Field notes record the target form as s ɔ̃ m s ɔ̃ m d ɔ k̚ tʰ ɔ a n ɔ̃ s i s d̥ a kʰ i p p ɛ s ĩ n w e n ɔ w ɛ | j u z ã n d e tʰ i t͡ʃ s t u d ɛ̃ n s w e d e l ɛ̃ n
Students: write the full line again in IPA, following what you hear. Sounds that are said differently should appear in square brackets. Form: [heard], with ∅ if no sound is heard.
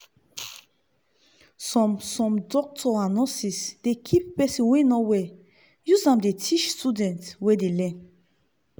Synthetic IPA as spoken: s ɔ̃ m s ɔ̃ m d ɔ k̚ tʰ ɔ a n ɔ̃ s i s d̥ [e] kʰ i p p ɛ s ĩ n w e n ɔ w ɛ | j u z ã [m] d e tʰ i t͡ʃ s t u d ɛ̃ n [t] w e d e l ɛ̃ n